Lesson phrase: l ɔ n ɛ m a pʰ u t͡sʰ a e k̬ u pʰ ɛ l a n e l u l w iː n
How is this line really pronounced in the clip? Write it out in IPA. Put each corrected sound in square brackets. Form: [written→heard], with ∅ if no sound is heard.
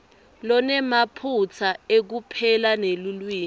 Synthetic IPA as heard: l ɔ n ɛ m a pʰ u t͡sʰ a e k̬ u pʰ ɛ l a n e l u l w iː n